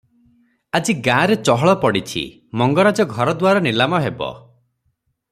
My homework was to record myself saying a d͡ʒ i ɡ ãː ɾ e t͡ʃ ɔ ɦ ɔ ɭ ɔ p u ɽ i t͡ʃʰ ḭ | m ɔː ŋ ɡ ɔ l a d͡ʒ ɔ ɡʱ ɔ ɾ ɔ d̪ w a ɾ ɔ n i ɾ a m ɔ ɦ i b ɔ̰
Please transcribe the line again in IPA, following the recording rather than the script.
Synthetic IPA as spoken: a d͡ʒ i ɡ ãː ɾ e t͡ʃ ɔ ɦ ɔ ɭ ɔ p ɔ ɽ i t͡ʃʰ ḭ | m ɔ ŋ ɡ ɔ ɾ a d͡ʒ ɔ ɡʱ ɔ ɾ ɔ d̪ w a ɾ ɔ n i l a m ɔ ɦ e b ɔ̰